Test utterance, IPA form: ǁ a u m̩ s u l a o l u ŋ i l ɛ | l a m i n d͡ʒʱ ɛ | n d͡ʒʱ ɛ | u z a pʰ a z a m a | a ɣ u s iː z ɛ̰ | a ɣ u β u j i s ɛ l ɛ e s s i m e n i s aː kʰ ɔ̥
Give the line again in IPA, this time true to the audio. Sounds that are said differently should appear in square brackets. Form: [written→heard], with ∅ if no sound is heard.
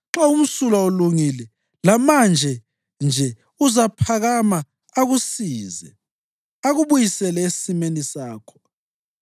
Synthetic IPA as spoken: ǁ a u m̩ s u l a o l u ŋ i l ɛ | l a m [i→a] n d͡ʒʱ ɛ | n d͡ʒʱ ɛ | u z a pʰ a [z→ɣ] a m a | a ɣ u s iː z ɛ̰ | a ɣ u β u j i s ɛ l ɛ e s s i m e n i s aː kʰ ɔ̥